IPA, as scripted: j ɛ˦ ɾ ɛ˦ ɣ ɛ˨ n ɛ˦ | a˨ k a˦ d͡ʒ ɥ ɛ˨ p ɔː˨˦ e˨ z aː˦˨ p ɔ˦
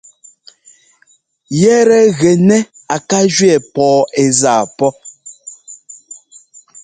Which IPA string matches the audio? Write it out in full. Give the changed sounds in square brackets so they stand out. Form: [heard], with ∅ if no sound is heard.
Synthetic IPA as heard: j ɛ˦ ɾ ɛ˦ ɣ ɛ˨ n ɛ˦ | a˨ k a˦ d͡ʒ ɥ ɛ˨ p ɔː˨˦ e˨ z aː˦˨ p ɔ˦